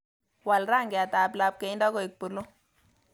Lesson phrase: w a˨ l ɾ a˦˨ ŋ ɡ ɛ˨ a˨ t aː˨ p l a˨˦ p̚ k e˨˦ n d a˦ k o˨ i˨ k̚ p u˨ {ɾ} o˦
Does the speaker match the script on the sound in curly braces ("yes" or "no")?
no